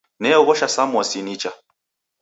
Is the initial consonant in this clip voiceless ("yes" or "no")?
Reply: no